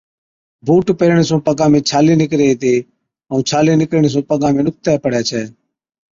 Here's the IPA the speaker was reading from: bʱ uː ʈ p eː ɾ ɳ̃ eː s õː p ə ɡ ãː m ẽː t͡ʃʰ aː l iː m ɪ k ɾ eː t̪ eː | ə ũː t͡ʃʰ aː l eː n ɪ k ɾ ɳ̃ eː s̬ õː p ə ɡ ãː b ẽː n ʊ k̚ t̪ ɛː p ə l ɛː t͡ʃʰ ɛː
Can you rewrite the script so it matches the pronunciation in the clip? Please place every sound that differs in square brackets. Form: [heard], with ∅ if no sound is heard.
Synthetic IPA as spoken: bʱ uː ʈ p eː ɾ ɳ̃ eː s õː p ə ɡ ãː m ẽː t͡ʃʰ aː l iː [n] ɪ k ɾ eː t̪ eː | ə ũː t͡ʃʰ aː l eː n ɪ k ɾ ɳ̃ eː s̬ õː p ə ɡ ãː [m] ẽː n ʊ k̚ t̪ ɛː p ə [ɽ] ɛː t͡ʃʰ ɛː